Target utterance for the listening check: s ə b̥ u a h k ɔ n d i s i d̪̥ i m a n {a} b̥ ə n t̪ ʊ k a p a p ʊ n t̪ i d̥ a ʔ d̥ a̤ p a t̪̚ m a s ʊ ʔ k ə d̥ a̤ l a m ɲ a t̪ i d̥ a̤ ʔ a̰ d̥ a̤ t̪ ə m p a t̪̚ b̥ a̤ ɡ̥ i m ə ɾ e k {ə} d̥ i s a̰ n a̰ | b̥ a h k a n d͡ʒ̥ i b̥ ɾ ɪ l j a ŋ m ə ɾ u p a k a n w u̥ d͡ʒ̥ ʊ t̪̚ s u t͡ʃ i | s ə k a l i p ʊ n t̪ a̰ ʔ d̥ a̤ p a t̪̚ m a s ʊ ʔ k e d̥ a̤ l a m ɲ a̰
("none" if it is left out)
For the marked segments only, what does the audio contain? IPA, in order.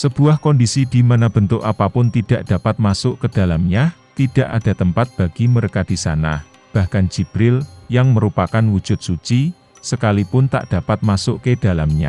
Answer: a, a

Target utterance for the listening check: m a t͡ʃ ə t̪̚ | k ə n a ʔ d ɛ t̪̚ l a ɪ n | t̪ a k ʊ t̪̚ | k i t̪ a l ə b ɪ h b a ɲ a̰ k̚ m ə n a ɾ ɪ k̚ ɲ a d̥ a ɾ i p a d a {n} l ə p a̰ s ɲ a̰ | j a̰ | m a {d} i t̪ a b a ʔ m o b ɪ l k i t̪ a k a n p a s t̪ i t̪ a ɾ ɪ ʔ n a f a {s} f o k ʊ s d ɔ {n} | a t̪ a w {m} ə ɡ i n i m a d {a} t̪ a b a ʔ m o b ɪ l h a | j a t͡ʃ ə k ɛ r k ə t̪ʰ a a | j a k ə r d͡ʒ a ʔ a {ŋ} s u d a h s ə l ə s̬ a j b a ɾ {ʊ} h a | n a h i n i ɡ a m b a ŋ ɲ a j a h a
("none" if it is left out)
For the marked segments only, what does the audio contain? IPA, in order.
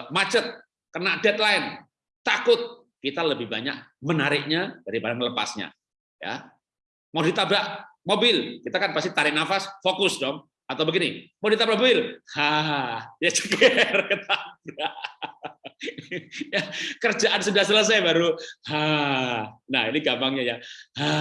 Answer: ŋ, d, s, ŋ, b, i, n, u

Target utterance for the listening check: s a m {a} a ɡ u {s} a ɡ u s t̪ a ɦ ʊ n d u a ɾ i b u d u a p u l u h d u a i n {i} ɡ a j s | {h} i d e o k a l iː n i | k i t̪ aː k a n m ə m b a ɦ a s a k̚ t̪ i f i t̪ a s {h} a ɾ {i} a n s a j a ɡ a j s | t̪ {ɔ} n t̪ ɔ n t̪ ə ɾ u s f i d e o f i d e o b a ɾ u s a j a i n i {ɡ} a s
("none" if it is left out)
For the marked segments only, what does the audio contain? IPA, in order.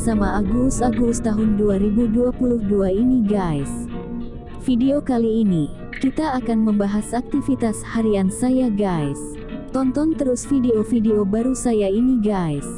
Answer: a, s, i, f, h, i, ɔ, ɡ

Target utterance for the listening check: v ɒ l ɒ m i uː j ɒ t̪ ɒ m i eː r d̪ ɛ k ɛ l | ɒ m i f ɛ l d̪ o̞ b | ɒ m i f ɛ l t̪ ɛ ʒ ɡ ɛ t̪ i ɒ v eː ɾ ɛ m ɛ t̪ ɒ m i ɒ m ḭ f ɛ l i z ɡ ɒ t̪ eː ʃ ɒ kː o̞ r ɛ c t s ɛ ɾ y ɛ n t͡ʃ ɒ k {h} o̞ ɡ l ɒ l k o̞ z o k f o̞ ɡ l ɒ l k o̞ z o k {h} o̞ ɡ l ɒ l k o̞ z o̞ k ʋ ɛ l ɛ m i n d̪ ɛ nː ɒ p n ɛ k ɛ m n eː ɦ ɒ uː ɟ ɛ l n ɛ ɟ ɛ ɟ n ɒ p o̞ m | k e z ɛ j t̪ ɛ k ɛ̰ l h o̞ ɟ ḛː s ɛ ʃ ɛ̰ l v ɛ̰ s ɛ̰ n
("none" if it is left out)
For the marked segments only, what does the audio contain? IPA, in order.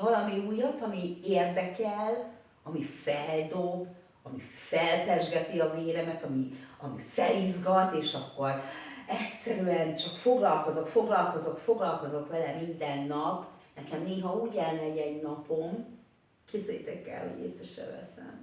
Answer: f, f

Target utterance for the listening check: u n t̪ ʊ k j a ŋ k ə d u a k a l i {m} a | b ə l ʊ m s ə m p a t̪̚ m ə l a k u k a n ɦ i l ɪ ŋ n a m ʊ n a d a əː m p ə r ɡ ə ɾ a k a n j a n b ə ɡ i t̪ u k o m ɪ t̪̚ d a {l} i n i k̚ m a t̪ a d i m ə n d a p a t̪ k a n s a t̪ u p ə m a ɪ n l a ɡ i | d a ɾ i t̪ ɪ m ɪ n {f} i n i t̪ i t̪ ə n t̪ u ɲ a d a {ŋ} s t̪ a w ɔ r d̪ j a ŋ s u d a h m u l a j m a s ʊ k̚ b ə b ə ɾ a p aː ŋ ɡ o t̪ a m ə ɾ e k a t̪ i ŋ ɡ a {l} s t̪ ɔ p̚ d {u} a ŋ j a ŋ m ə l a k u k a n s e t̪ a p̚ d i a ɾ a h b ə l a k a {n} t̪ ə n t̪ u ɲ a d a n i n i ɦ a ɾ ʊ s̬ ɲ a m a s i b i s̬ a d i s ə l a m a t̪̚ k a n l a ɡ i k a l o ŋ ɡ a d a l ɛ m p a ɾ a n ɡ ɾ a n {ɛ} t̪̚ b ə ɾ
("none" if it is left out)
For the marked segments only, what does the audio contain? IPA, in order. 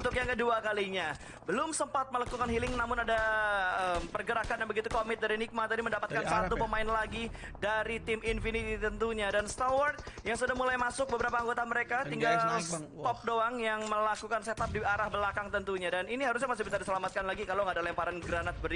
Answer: ɲ, ɾ, f, n, l, o, ŋ, a

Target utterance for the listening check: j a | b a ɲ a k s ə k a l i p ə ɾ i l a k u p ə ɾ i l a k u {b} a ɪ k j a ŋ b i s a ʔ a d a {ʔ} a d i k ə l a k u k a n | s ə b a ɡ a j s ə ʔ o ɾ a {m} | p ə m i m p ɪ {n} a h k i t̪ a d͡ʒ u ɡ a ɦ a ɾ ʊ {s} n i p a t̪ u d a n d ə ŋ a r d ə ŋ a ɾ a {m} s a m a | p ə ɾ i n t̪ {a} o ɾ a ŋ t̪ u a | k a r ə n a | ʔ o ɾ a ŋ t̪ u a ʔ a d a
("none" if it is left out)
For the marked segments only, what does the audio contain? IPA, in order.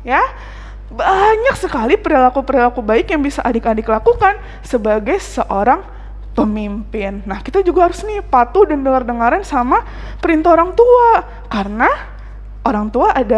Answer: b, k, ŋ, nː, s, n, a

